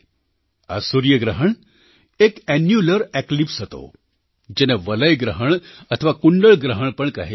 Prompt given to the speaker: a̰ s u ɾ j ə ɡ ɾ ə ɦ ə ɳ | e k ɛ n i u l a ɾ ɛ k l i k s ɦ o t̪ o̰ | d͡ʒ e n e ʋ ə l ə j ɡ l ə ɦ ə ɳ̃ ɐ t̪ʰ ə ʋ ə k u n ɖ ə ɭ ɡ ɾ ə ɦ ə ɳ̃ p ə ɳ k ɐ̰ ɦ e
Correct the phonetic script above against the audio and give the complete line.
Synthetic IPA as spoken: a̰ s u ɾ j ə ɡ ɾ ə ɦ ə ɳ | e k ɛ n j u l ə ɾ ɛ k l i p s ɦ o t̪ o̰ | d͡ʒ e n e ʋ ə l ə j ɡ ɾ ə ɦ ə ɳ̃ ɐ t̪ʰ ə ʋ a k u ɳ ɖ ə ɭ ɡ ɾ ə ɦ ə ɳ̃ p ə ɳ k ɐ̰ ɦ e